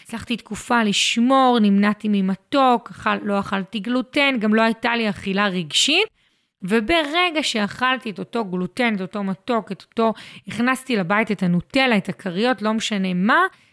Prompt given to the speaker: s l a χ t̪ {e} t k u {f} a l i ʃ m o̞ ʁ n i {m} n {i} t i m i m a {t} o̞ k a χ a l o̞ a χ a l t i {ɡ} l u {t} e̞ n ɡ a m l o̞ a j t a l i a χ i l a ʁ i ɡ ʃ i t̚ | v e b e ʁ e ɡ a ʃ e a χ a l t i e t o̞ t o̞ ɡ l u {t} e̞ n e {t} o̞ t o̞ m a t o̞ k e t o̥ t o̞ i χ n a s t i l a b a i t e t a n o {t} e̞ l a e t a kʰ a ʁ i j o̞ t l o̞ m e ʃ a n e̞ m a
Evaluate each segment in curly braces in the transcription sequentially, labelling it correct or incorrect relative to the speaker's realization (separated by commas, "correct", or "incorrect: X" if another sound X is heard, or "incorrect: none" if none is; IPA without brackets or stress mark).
incorrect: i, correct, correct, incorrect: a, correct, correct, correct, correct, correct, correct